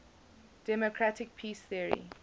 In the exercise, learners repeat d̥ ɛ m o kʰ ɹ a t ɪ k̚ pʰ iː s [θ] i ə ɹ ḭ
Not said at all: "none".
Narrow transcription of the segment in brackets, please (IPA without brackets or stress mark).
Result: θ